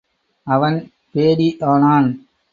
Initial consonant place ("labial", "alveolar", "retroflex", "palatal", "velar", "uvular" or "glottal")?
labial